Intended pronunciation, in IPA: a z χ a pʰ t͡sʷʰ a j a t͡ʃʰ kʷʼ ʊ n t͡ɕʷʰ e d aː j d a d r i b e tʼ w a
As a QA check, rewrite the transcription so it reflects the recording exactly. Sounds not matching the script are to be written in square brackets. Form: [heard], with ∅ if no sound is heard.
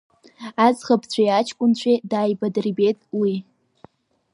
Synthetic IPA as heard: a z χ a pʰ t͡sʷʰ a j a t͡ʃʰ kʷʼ ʊ n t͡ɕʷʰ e d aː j [b] a d r i b e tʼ w [i]